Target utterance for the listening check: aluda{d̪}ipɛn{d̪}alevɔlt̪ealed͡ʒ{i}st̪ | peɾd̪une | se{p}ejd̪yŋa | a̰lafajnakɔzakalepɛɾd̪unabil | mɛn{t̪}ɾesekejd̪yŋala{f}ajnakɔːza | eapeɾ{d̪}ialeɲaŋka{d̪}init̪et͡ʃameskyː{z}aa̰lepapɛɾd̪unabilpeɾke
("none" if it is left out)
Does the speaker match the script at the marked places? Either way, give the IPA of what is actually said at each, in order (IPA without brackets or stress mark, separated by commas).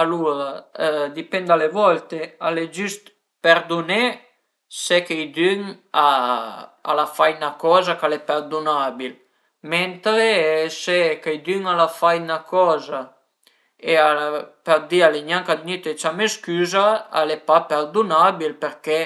d̪, d̪, y, k, t̪, f, d̪, d̪, z